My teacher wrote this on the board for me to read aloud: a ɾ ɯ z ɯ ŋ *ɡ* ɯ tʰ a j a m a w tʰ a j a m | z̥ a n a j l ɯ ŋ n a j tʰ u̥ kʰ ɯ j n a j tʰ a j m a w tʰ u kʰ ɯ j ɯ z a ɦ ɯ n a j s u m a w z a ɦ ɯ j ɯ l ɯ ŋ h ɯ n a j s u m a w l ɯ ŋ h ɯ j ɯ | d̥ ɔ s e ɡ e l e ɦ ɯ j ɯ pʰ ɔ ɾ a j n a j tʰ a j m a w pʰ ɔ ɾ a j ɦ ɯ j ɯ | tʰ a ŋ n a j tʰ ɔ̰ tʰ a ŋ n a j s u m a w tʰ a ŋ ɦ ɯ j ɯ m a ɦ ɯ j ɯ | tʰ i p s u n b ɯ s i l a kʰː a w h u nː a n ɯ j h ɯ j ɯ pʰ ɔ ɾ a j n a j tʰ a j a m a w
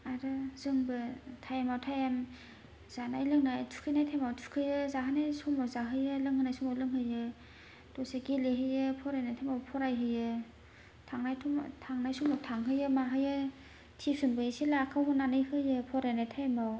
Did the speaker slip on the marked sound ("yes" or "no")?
yes